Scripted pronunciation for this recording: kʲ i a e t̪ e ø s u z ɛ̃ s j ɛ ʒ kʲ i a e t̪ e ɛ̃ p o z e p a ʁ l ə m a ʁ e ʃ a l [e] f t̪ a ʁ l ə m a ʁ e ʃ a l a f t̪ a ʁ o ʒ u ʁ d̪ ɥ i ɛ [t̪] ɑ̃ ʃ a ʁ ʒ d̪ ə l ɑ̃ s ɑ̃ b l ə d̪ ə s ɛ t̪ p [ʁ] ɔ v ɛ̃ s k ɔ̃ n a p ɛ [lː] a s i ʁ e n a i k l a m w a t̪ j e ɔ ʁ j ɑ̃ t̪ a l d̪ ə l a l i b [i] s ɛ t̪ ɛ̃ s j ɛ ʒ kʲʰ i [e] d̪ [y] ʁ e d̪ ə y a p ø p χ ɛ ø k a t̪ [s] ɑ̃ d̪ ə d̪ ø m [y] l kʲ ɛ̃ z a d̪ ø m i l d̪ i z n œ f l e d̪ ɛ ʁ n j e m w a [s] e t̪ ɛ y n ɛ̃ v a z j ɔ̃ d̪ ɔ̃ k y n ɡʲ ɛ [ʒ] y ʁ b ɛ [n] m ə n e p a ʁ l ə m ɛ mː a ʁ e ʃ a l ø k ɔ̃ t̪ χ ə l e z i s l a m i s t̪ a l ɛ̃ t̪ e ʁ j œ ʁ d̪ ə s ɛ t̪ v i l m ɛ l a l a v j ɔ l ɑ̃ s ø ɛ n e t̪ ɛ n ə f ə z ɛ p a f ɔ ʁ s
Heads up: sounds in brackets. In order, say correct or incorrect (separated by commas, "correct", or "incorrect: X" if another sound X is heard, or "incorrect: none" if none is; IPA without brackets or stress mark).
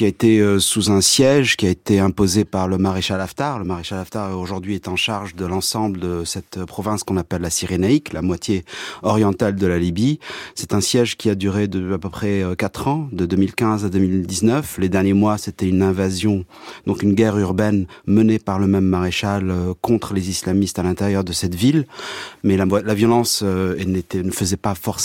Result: incorrect: a, correct, incorrect: χ, correct, correct, incorrect: a, correct, incorrect: χ, incorrect: i, correct, incorrect: ʁ, correct